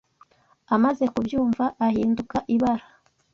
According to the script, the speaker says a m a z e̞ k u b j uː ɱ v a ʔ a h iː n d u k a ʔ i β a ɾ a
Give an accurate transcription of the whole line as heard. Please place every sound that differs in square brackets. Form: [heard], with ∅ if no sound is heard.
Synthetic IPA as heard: a m a z e̞ k u b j uː ɱ v a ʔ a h iː n d u k a ʔ i β a ɾ a